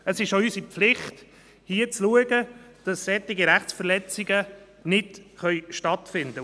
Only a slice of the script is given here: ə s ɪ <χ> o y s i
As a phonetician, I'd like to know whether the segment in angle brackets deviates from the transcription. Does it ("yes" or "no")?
yes